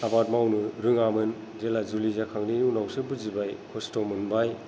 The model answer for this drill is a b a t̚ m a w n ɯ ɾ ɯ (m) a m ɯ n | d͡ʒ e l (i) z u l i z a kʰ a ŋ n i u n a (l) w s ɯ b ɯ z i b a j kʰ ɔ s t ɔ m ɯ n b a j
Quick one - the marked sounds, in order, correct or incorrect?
incorrect: ŋ, incorrect: a, incorrect: none

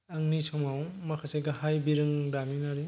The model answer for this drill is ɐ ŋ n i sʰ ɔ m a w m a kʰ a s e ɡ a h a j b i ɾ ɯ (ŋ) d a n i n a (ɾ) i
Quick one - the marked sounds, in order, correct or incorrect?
correct, correct

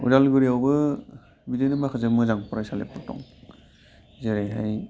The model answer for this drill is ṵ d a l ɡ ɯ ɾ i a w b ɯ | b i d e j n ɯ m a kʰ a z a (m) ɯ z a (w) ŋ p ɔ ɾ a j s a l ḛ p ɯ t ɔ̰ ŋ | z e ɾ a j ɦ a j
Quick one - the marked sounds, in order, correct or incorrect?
correct, incorrect: none

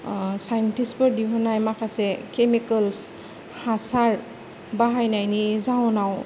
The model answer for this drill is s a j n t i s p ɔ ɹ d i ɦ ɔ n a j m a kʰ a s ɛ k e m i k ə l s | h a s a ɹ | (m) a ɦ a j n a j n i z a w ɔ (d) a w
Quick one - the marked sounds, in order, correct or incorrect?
incorrect: b, incorrect: n

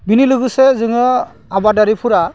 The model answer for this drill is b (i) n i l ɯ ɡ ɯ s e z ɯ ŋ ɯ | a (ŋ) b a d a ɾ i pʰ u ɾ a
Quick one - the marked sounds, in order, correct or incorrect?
correct, incorrect: none

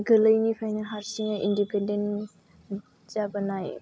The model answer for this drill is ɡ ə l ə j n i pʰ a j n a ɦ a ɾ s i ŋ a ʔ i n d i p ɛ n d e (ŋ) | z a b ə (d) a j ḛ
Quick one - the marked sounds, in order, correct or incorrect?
incorrect: n, incorrect: n

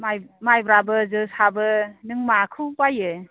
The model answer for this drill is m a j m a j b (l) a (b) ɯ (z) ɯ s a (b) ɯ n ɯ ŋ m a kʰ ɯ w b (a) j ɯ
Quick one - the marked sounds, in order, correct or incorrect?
incorrect: ɾ, correct, correct, correct, correct

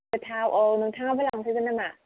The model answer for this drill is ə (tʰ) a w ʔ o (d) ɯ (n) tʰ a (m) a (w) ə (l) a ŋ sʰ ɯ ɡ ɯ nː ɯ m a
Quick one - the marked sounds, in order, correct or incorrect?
correct, incorrect: n, incorrect: ŋ, incorrect: ŋ, incorrect: b, correct

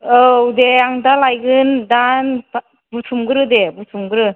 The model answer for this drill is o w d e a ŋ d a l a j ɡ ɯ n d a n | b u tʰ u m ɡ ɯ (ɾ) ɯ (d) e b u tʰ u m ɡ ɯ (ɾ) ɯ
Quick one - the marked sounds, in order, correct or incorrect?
correct, correct, correct

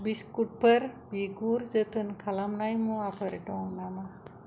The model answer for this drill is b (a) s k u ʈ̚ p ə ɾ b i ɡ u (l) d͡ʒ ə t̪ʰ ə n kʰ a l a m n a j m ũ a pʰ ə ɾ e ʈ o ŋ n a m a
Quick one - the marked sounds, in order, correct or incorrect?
incorrect: i, incorrect: ɾ

